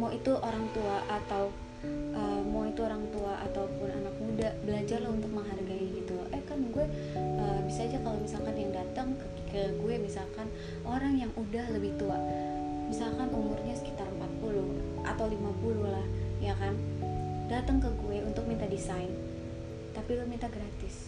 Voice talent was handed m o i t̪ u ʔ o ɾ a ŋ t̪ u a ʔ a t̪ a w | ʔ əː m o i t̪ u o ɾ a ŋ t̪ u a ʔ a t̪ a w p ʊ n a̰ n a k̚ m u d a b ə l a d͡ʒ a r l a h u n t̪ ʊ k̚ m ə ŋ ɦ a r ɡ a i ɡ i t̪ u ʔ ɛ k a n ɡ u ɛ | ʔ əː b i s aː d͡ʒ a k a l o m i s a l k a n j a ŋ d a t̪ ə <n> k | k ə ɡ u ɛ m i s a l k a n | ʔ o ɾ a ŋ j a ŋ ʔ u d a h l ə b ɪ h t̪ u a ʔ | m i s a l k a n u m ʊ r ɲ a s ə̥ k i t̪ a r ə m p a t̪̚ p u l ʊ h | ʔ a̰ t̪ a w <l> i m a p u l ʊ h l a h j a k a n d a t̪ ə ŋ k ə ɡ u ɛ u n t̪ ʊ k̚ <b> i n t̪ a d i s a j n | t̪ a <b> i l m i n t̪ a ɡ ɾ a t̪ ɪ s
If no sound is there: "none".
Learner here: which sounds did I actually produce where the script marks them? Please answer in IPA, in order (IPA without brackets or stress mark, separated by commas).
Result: ŋ, l, m, p